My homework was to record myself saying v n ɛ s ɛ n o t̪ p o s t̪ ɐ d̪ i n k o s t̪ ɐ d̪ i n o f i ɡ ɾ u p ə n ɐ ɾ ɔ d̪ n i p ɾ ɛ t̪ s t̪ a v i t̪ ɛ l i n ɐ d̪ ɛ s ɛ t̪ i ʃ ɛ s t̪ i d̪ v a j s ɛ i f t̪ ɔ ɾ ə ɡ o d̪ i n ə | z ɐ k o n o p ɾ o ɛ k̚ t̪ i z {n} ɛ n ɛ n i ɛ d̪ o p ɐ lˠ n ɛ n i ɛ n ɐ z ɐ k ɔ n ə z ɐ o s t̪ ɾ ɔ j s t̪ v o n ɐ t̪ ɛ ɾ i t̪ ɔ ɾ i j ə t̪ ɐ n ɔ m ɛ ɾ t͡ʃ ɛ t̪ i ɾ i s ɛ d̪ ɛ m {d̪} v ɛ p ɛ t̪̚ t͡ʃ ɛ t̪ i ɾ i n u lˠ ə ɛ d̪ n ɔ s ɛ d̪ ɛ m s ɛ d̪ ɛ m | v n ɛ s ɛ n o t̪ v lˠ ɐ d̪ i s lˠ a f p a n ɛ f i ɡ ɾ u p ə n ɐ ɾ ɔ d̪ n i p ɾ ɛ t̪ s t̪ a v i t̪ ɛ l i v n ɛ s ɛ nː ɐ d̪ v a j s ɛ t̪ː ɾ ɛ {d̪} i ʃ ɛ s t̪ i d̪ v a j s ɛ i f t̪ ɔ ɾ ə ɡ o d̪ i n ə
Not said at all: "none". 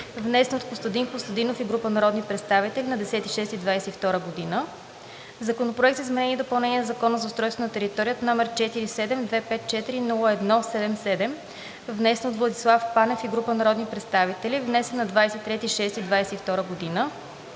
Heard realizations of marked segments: m, d̪, t̪

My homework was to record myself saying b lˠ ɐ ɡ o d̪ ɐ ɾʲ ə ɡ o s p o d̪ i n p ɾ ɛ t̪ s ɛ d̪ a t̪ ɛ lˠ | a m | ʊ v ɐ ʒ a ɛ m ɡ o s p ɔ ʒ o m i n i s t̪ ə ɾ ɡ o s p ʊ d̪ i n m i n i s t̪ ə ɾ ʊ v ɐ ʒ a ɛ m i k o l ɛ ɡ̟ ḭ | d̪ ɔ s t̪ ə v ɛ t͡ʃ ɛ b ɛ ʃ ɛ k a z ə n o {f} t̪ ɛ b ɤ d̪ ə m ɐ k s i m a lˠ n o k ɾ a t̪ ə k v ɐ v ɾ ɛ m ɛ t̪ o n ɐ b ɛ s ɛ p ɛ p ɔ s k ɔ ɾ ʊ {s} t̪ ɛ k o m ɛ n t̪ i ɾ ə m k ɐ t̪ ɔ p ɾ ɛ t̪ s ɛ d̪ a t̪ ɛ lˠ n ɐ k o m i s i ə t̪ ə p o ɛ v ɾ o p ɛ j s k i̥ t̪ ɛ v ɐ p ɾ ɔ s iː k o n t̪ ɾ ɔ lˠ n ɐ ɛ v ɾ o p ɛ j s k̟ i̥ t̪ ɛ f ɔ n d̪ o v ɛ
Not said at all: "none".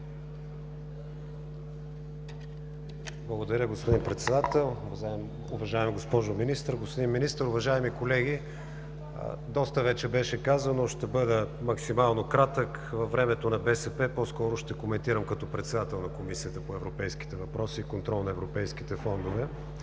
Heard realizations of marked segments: ʃ, ʃ

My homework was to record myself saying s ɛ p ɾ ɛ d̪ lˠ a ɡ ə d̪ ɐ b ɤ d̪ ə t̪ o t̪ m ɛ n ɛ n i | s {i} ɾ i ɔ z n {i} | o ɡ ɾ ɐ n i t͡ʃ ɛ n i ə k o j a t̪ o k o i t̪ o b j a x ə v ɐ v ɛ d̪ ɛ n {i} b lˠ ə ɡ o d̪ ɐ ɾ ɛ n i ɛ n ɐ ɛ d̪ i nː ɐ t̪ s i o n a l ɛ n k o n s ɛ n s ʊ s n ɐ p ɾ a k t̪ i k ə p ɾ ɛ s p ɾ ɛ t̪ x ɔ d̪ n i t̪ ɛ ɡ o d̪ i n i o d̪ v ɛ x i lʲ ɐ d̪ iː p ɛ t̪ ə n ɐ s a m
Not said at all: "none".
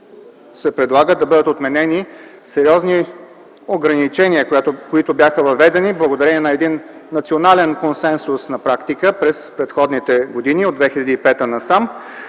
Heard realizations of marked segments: ɛ, i, i

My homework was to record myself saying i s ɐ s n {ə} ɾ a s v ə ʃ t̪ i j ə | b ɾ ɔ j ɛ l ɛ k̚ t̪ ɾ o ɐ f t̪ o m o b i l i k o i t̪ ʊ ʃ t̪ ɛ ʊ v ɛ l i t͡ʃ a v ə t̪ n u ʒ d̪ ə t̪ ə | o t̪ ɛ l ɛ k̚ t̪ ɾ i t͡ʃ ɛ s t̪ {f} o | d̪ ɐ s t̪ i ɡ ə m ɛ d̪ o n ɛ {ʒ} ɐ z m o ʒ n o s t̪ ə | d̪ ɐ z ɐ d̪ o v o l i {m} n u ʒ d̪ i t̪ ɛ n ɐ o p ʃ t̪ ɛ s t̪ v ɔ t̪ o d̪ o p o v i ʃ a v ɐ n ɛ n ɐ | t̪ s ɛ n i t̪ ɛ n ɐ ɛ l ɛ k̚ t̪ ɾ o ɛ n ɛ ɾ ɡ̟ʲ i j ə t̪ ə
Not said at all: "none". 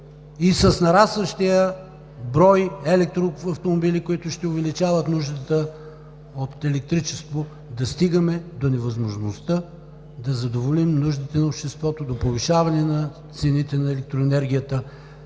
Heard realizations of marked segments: ɐ, v, v, m

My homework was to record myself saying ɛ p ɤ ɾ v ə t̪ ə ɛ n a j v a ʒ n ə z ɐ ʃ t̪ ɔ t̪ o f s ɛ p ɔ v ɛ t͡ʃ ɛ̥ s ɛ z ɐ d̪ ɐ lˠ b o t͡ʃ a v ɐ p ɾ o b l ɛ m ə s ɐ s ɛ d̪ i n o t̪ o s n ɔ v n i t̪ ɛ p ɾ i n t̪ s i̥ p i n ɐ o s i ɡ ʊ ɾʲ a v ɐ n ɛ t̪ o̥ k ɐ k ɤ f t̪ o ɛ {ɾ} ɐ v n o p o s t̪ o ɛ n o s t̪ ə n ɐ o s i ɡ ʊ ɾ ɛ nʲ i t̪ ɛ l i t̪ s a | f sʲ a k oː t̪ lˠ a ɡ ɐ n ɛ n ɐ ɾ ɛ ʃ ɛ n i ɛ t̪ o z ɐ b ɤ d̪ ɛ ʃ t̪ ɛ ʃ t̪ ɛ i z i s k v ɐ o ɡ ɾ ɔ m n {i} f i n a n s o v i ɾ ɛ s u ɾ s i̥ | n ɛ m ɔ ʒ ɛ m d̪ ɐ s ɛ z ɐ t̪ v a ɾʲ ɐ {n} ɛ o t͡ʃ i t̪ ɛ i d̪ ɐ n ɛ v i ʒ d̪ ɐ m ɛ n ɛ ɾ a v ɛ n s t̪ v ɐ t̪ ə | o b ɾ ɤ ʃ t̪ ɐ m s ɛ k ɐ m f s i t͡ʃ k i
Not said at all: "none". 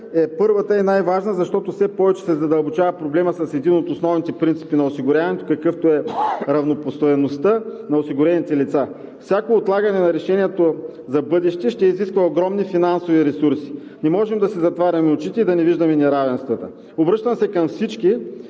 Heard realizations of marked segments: ɾ, i, m

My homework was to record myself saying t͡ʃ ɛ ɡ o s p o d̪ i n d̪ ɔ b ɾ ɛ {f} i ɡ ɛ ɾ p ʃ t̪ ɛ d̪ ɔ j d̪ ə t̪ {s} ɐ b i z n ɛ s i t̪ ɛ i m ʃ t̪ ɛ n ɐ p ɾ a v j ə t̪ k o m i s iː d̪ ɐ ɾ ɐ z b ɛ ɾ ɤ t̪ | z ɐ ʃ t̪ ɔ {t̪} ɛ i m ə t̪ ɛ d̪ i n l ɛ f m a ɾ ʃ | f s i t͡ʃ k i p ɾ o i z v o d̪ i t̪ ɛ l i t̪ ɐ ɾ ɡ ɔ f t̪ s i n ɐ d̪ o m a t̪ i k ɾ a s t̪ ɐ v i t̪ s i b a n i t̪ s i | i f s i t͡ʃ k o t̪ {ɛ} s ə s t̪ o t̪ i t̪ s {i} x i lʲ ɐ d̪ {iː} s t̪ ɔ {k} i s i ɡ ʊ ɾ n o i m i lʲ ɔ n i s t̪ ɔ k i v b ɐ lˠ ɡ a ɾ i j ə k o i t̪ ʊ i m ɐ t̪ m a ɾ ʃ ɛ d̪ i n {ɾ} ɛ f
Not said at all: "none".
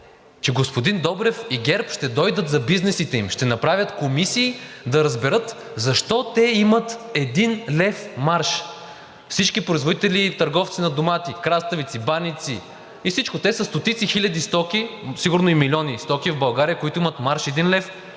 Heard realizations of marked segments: f, z, t̪, ɛ, i, i, k, l

